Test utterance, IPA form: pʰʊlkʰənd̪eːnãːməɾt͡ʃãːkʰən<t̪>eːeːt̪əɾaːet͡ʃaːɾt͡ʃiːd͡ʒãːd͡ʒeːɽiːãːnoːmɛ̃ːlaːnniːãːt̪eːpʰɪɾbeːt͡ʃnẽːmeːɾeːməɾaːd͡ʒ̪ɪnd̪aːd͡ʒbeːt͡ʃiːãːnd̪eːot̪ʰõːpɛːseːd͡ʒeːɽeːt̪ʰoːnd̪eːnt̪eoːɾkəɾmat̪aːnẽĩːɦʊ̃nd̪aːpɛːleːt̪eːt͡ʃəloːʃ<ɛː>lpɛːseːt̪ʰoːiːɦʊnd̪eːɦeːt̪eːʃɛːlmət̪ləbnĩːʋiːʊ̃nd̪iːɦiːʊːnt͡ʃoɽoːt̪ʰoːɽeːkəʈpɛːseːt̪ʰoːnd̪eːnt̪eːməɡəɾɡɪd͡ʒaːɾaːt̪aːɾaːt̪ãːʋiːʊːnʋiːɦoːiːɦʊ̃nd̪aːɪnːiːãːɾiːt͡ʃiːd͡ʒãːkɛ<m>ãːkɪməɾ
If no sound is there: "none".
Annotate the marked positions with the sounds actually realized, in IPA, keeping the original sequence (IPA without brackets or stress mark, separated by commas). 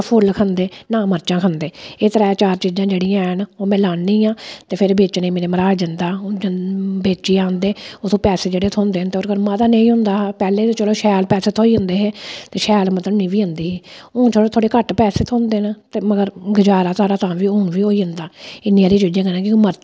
d̪, ɛː, n